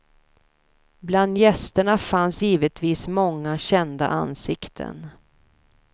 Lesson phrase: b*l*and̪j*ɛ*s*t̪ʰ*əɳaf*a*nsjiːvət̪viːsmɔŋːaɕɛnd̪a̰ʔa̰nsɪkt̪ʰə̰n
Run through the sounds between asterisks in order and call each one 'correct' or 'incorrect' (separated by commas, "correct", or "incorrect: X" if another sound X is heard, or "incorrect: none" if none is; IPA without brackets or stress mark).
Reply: correct, correct, incorrect: t̪, correct